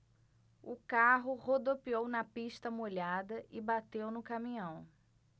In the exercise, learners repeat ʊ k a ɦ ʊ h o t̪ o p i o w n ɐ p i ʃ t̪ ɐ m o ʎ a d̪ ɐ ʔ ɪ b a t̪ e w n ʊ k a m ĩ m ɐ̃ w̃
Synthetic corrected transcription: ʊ k a ɦ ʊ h o d̪ o p i o w n ɐ p i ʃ t̪ ɐ m o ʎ a d̪ ɐ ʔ ɪ b a t̪ e w n ʊ k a m ĩ ɲ ɐ̃ w̃

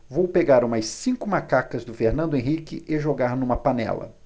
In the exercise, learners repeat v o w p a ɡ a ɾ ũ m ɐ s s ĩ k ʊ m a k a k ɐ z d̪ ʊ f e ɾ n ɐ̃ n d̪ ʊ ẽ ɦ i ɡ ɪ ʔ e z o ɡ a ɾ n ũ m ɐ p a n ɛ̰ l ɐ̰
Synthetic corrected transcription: v o w p e ɡ a ɾ ũ m ɐ s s ĩ k ʊ m a k a k ɐ z d̪ ʊ f e ɾ n ɐ̃ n d̪ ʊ ẽ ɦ i k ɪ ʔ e ʒ o ɡ a ɾ n ũ m ɐ p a n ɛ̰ l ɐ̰

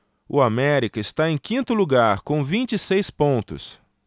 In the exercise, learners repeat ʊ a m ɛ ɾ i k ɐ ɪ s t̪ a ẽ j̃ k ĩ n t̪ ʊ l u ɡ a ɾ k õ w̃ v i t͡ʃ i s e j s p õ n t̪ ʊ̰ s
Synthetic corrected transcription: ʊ a m ɛ ɾ i k ɐ ɪ s t̪ a ẽ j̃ k ĩ n t̪ ʊ l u ɡ a ɾ k õ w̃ v ĩ t͡ʃ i s e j s p õ n t̪ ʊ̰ s

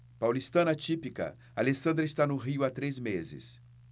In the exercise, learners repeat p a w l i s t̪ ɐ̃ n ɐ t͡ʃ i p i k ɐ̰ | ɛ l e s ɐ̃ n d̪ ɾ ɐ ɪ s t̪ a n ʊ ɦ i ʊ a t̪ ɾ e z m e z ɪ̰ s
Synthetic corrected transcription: p a w l i s t̪ ɐ̃ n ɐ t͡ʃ i p i k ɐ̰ | a l e s ɐ̃ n d̪ ɾ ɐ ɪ s t̪ a n ʊ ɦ i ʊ a t̪ ɾ e z m e z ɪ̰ s

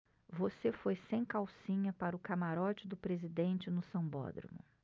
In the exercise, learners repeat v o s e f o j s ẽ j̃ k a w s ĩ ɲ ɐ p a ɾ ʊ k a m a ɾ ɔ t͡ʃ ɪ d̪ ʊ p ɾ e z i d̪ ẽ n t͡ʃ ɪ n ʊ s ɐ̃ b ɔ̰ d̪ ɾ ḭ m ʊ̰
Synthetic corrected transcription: v o s e f o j s ẽ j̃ k a w s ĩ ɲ ɐ p a ɾ ʊ k a m a ɾ ɔ t͡ʃ ɪ d̪ ʊ p ɾ e z i d̪ ẽ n t͡ʃ ɪ n ʊ s ɐ̃ b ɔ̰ d̪ ɾ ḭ m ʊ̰

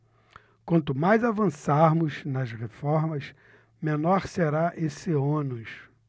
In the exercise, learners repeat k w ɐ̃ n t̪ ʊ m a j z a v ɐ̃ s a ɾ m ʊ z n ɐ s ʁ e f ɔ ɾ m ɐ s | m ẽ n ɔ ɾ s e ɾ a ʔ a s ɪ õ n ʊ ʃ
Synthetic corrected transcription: k w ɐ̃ n t̪ ʊ m a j z a v ɐ̃ s a ɾ m ʊ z n ɐ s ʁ e f ɔ ɾ m ɐ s | m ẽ n ɔ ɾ s e ɾ a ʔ e s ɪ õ n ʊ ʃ

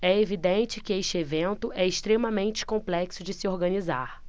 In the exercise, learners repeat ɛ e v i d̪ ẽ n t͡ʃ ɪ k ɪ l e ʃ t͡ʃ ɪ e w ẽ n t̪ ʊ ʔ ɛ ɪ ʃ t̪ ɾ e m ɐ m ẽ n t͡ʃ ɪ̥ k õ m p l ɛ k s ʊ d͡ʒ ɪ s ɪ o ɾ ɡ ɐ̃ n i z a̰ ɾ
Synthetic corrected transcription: ɛ e v i d̪ ẽ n t͡ʃ ɪ k ɪ e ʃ t͡ʃ ɪ e v ẽ n t̪ ʊ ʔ ɛ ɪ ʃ t̪ ɾ e m ɐ m ẽ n t͡ʃ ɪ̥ k õ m p l ɛ k s ʊ d͡ʒ ɪ s ɪ o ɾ ɡ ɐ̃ n i z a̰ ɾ

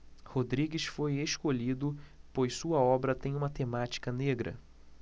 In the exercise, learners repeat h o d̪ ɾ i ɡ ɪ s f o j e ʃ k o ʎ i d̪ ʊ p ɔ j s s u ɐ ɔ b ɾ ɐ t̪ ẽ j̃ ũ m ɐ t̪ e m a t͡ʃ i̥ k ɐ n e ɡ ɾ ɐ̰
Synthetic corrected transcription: h o d̪ ɾ i ɡ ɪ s f o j e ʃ k o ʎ i d̪ ʊ p o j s s u ɐ ɔ b ɾ ɐ t̪ ẽ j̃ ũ m ɐ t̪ e m a t͡ʃ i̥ k ɐ n e ɡ ɾ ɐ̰

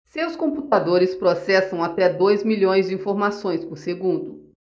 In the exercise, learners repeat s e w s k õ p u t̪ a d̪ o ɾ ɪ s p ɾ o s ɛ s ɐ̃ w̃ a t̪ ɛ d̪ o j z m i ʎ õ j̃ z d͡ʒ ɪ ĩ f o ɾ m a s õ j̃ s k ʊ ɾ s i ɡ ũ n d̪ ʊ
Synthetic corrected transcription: s e w s k õ p u t̪ a d̪ o ɾ ɪ s p ɾ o s ɛ s ɐ̃ w̃ a t̪ ɛ d̪ o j z m i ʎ õ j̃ z d͡ʒ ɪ ĩ f o ɾ m a s õ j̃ s p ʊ ɾ s e ɡ ũ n d̪ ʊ

